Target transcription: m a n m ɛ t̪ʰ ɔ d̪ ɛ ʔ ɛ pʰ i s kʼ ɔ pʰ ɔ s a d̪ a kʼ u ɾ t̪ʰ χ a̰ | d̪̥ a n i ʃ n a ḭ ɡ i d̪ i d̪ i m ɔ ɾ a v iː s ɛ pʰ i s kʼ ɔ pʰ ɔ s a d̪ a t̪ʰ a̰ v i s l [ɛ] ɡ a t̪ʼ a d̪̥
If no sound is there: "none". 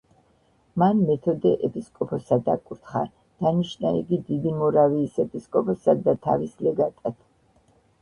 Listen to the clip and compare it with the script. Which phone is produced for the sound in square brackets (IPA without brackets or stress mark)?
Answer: ɛ